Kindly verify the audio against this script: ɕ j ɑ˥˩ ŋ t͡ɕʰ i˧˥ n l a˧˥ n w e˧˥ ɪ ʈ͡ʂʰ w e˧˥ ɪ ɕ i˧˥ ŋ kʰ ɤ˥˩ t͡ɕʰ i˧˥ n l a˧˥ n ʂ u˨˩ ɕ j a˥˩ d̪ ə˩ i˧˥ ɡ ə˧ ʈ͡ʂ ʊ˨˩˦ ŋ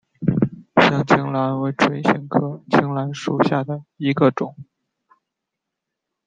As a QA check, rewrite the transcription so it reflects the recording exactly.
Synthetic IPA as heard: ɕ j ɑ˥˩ ŋ t͡ɕʰ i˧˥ ŋ l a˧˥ n w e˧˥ ɪ ʈ͡ʂʰ w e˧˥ ɪ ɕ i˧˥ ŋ kʰ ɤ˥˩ t͡ɕʰ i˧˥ ŋ l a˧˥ n ʂ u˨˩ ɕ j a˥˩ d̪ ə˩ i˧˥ ɡ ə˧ ʈ͡ʂ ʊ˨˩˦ ŋ